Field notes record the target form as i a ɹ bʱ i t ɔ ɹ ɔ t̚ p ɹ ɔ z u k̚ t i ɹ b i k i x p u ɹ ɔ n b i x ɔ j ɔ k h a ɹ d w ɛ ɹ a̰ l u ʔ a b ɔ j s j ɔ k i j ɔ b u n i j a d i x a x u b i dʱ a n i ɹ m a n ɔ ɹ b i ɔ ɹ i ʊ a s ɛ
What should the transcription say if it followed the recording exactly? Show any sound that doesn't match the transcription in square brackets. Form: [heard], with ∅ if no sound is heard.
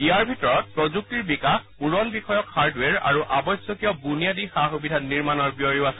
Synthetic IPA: i a ɹ bʱ i t ɔ ɹ ɔ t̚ p ɹ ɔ z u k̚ t i ɹ b i k [a] x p u ɹ ɔ n b i x ɔ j ɔ k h a ɹ d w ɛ ɹ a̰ [ɹ] u ʔ a b ɔ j s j ɔ k i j ɔ b u n i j a d i x a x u b i dʱ a n i ɹ m a n ɔ ɹ b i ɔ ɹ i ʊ a s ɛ